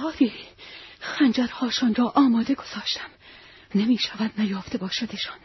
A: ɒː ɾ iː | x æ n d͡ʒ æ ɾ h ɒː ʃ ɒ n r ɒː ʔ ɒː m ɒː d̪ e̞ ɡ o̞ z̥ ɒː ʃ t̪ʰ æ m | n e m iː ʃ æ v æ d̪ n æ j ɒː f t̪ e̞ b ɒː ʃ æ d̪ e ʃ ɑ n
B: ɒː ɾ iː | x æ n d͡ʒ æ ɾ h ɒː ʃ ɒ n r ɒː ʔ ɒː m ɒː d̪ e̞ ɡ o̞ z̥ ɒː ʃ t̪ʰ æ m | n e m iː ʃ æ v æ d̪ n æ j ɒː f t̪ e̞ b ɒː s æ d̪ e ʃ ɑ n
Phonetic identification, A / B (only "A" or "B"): A